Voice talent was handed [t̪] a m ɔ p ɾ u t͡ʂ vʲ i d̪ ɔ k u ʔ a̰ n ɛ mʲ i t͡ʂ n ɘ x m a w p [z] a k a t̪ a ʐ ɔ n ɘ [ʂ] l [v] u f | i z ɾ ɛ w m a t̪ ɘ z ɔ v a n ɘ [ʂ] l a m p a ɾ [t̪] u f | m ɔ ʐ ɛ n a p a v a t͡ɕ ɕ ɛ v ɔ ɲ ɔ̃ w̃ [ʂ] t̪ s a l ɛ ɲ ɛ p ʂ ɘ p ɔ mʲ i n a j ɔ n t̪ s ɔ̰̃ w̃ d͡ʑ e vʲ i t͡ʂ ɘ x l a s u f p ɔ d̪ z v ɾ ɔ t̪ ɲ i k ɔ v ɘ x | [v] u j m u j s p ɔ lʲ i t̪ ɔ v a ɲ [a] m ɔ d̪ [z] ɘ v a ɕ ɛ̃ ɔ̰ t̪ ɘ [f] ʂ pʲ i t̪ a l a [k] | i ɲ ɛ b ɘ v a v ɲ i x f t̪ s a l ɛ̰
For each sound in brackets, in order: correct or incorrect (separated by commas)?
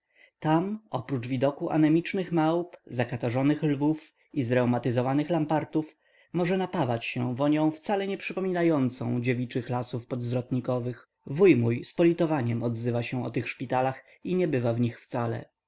correct, correct, incorrect, correct, incorrect, correct, incorrect, correct, incorrect, correct, incorrect, incorrect